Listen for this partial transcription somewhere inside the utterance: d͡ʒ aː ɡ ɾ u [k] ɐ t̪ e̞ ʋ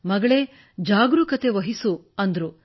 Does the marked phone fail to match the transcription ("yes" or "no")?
no